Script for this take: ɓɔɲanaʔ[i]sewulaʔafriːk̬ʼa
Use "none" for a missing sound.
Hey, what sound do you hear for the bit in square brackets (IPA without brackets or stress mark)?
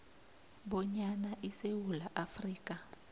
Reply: i